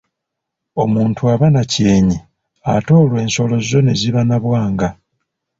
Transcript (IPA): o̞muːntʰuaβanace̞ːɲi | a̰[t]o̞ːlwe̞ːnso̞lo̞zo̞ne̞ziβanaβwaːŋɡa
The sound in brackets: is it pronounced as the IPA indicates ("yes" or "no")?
yes